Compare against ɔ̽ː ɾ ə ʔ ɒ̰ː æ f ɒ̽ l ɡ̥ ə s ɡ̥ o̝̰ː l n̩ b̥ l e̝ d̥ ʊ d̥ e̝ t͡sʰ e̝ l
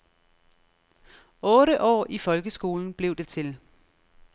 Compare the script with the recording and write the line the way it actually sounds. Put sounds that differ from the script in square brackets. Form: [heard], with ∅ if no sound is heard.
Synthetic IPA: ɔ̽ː ɾ ə ʔ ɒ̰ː [i] f ɒ̽ l ɡ̥ ə s ɡ̥ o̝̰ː l n̩ b̥ l e̝ [∅] ʊ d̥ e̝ t͡sʰ e̝ l